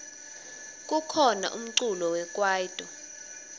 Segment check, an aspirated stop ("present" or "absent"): present